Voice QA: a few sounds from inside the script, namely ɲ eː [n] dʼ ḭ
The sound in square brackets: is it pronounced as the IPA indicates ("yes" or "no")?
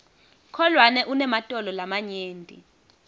yes